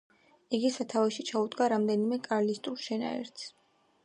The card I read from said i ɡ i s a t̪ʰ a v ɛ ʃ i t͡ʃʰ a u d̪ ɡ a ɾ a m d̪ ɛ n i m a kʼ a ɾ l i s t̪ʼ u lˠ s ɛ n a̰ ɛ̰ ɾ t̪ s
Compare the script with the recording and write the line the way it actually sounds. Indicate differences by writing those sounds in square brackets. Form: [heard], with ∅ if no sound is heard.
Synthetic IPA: i ɡ i s a t̪ʰ a v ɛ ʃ i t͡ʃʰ a u d̪ ɡ a ɾ a m d̪ ɛ n i m [ɛ] kʼ a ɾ l i s t̪ʼ u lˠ [ʃ] ɛ n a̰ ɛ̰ ɾ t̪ s